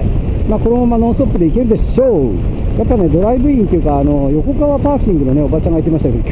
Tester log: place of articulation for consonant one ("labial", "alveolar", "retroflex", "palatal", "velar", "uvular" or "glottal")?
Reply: labial